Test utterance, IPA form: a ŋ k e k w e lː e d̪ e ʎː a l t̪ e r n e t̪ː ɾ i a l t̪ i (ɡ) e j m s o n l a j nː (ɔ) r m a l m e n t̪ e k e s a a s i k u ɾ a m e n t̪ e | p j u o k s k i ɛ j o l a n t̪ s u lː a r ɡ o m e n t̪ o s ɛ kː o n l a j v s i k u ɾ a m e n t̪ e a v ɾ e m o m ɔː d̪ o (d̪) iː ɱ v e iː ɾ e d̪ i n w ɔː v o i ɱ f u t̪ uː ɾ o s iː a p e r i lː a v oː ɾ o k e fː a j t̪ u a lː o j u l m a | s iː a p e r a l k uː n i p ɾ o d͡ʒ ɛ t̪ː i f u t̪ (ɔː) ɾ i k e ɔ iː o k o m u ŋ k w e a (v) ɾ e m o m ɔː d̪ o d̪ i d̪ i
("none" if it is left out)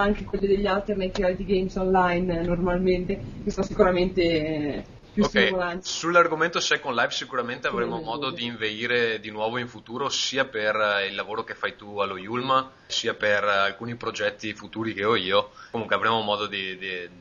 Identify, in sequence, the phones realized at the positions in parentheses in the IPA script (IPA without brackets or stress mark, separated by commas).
ɡ, o, d̪, uː, v